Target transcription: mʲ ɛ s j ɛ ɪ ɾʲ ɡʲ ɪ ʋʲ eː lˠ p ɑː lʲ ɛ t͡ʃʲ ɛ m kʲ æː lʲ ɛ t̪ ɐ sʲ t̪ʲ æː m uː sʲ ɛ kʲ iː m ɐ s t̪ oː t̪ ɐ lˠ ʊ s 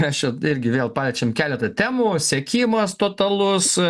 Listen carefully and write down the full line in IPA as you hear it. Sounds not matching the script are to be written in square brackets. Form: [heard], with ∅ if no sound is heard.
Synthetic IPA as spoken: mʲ ɛ s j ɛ ɪ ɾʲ ɡʲ ɪ ʋʲ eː lˠ p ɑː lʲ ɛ t͡ʃʲ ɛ m kʲ æː lʲ ɛ t̪ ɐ [∅] t̪ʲ æː m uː sʲ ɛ kʲ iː m ɐ s t̪ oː t̪ ɐ lˠ ʊ s

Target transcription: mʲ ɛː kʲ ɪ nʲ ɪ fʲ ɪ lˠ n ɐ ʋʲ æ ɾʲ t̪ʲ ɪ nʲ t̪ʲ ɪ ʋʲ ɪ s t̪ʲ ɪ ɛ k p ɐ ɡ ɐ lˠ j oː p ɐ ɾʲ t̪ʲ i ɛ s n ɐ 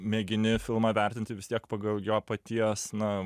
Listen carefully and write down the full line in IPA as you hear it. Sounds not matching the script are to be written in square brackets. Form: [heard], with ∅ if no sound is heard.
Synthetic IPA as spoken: mʲ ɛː [ɡʲ] ɪ nʲ ɪ fʲ ɪ lˠ [m] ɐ ʋʲ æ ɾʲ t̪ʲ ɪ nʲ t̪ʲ ɪ ʋʲ ɪ s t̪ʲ [i] ɛ k p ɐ ɡ ɐ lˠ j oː p ɐ [∅] t̪ʲ i ɛ s n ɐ

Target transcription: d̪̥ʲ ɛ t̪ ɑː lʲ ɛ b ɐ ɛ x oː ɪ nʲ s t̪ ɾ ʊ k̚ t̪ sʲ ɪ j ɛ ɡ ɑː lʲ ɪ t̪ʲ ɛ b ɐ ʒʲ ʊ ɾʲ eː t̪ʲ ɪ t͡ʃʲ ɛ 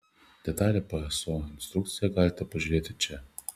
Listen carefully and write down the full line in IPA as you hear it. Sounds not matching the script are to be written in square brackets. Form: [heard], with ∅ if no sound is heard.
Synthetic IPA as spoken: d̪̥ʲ ɛ t̪ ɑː lʲ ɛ [p] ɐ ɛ [s] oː ɪ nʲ s t̪ ɾ ʊ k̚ t̪ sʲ ɪ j ɛ ɡ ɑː lʲ ɪ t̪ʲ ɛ [p] ɐ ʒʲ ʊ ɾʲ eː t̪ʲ ɪ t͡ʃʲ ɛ

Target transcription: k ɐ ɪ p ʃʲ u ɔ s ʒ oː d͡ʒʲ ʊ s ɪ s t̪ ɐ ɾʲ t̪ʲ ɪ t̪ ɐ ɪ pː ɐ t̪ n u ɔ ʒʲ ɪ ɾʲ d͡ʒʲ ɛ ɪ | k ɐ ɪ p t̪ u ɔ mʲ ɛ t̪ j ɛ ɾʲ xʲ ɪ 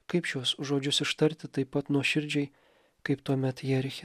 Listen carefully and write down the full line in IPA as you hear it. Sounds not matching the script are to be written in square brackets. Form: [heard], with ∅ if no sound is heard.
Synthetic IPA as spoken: k ɐ ɪ p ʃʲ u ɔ s ʒ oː d͡ʒʲ ʊ s ɪ [ʃ] t̪ ɐ ɾʲ t̪ʲ ɪ t̪ ɐ ɪ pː ɐ t̪ n u ɔ [ʃʲ] ɪ ɾʲ d͡ʒʲ ɛ ɪ | k ɐ ɪ p t̪ u ɔ mʲ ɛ t̪ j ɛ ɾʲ xʲ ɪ

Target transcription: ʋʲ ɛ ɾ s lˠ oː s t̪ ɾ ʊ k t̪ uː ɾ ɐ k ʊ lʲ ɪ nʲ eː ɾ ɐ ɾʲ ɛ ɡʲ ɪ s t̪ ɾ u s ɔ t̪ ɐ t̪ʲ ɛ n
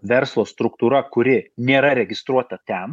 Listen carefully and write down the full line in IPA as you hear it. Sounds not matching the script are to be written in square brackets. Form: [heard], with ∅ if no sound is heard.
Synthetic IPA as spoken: ʋʲ ɛ ɾ s lˠ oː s t̪ ɾ ʊ k t̪ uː ɾ ɐ k ʊ [ɾʲ] ɪ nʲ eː ɾ ɐ ɾʲ ɛ ɡʲ ɪ s t̪ ɾ u [∅] ɔ t̪ ɐ t̪ʲ ɛ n

